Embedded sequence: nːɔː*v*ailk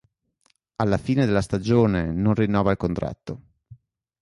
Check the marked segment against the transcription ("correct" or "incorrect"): correct